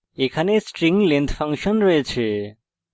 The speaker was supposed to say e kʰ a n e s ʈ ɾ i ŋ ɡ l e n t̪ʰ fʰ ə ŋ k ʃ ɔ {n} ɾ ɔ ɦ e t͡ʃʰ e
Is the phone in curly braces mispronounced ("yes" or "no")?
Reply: no